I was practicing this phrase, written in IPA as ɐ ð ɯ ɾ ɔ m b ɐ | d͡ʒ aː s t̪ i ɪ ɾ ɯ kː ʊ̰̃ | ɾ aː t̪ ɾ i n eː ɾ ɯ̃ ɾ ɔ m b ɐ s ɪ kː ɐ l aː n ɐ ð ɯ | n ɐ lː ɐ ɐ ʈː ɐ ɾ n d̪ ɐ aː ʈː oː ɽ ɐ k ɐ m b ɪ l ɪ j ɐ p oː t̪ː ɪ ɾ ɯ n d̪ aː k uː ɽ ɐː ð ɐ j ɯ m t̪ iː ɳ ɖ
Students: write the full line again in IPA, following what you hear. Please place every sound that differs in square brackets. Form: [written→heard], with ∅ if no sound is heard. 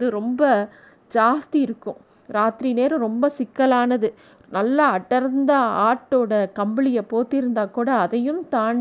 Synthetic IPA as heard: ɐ ð ɯ ɾ ɔ m b ɐ | d͡ʒ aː s t̪ i ɪ ɾ ɯ kː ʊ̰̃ | ɾ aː t̪ ɾ i n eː ɾ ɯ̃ ɾ ɔ m b ɐ s ɪ kː ɐ l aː n ɐ ð ɯ | n ɐ lː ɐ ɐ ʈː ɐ ɾ n d̪ ɐ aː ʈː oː ɽ ɐ k ɐ m b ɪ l ɪ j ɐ p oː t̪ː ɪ ɾ ɯ n d̪ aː k uː ɽ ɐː ð ɐ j ɯ m t̪ [iː→aː] ɳ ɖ